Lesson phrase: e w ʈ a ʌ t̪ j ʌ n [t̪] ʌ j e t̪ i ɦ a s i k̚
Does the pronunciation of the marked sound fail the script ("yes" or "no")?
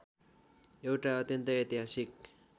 no